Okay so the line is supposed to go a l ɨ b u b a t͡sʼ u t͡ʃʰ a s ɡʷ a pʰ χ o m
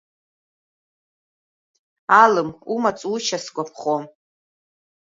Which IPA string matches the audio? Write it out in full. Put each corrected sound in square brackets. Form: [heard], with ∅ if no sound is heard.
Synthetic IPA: a l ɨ [m] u [m] a t͡sʼ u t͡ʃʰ a s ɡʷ a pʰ χ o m